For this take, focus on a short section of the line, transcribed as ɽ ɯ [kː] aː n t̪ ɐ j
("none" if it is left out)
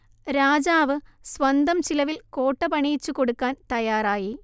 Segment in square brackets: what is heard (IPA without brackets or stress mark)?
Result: kː